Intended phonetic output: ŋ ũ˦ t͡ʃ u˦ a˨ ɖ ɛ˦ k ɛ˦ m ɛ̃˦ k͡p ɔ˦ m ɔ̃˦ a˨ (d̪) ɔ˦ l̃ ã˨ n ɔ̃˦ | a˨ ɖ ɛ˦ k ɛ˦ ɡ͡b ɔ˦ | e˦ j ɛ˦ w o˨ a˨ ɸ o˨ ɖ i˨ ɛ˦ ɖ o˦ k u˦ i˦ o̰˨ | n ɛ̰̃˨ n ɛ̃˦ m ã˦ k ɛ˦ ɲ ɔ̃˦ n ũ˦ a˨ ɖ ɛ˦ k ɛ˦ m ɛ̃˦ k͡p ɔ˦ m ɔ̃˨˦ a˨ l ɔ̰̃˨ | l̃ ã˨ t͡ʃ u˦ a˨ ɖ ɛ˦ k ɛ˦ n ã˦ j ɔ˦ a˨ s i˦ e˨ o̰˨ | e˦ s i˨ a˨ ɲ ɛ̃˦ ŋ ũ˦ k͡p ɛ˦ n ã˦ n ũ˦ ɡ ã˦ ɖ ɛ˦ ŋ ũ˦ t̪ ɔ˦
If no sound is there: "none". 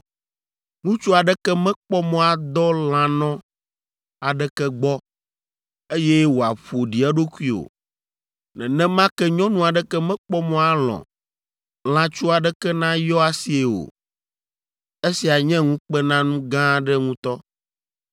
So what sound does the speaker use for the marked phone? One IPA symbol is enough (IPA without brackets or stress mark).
d̪